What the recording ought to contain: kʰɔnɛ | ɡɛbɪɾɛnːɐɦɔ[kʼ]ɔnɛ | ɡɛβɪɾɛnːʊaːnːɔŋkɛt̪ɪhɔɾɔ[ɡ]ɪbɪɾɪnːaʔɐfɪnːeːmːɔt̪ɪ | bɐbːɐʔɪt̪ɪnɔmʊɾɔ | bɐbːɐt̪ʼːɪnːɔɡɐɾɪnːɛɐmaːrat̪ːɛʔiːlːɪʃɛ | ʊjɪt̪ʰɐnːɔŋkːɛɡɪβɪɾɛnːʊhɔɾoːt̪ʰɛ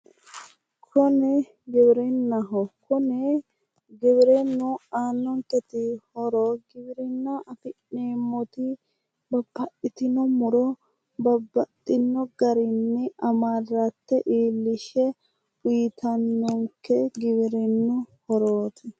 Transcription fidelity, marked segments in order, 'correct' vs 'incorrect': incorrect: k, correct

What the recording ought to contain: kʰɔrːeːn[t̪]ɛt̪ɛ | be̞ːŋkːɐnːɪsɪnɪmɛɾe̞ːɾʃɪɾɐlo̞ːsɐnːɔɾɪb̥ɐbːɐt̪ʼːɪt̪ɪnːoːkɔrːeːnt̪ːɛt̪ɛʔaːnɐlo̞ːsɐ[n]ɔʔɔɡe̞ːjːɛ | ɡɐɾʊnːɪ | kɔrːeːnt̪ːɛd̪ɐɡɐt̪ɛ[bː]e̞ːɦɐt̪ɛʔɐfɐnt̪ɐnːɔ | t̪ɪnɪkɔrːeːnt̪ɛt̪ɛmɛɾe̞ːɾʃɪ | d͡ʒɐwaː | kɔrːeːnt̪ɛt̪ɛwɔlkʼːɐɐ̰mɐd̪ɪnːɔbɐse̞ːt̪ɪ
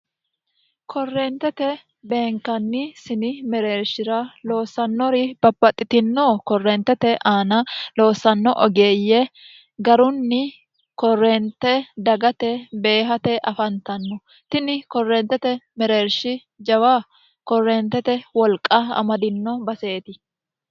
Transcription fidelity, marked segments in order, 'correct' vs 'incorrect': correct, incorrect: nː, incorrect: b

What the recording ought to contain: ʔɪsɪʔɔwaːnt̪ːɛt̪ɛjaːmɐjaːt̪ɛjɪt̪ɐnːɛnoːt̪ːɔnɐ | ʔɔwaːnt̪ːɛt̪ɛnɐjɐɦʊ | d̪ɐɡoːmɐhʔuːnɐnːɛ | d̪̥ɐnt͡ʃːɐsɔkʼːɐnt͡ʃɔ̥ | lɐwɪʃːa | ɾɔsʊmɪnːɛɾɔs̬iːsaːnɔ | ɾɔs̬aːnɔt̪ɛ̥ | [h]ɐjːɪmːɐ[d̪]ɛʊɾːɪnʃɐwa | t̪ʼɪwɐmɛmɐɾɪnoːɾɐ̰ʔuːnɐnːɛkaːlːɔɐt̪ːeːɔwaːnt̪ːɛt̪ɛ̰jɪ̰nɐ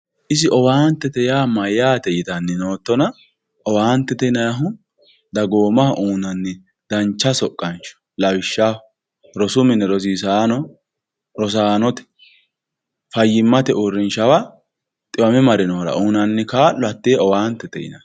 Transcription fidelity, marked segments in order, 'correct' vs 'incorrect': incorrect: f, incorrect: t̪

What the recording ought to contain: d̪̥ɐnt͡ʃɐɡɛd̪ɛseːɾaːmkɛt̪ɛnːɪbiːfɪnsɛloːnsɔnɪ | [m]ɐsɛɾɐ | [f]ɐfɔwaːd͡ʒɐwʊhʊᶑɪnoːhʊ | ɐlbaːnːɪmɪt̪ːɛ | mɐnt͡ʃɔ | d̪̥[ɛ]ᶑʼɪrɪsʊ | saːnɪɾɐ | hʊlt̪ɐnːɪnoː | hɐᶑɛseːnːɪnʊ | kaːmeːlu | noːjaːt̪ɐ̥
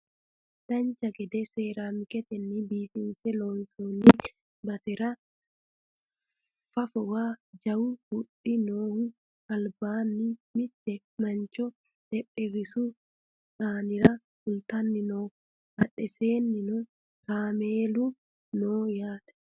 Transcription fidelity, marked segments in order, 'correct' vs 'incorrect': incorrect: b, correct, correct

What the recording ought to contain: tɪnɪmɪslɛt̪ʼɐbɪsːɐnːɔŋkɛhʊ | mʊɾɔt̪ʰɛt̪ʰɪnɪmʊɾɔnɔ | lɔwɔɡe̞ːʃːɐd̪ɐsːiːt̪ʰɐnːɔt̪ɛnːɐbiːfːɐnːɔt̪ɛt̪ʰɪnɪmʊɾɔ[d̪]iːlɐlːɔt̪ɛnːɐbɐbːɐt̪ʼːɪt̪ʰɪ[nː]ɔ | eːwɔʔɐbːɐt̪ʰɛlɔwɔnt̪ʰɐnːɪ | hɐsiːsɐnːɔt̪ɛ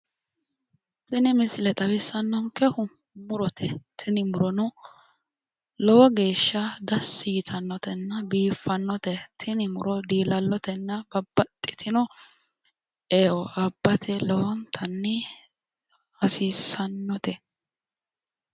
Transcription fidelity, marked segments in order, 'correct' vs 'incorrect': correct, incorrect: n

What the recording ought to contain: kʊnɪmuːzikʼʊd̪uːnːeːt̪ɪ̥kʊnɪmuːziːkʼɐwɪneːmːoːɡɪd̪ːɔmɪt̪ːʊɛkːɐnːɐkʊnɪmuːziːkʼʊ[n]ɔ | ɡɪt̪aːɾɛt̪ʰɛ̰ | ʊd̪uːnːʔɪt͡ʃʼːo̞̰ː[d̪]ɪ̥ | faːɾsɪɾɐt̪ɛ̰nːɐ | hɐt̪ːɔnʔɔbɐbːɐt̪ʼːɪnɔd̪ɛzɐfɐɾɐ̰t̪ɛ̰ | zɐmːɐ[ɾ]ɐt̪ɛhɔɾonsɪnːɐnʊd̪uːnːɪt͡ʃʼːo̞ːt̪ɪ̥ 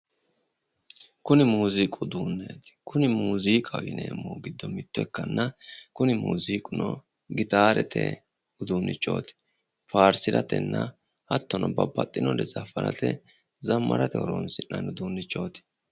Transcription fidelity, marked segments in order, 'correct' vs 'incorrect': correct, incorrect: t̪, correct

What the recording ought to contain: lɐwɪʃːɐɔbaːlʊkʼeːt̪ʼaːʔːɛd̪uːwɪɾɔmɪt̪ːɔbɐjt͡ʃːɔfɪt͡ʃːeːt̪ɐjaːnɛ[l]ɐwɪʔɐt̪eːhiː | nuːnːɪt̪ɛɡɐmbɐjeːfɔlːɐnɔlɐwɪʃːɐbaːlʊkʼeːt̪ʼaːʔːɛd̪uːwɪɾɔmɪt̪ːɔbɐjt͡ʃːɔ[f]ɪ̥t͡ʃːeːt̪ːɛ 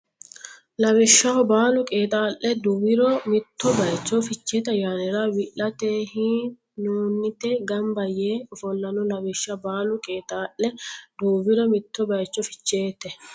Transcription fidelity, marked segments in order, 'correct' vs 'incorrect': incorrect: ɾ, correct

